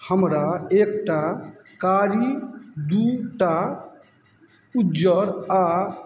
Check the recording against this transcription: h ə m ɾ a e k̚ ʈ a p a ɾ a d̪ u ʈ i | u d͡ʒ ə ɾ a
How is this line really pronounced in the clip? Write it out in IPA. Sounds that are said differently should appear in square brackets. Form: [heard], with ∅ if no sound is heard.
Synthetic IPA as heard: h ə m ɾ a e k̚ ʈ a [k] a ɾ [i] d̪ u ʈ [a] | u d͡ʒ ə ɾ a